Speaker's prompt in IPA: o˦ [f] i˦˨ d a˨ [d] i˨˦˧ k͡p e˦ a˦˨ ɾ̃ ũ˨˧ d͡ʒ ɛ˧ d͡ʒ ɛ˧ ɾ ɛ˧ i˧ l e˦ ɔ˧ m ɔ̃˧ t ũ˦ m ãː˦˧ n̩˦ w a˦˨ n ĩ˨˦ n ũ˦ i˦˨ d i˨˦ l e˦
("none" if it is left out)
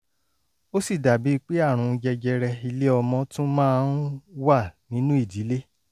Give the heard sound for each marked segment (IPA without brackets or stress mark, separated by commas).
s, b